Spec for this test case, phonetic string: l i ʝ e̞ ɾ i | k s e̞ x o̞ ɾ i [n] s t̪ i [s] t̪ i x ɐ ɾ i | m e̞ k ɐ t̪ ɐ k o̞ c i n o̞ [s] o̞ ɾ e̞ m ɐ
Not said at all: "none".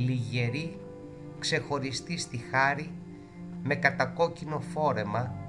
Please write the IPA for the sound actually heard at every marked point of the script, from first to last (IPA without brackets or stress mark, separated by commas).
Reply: none, s, f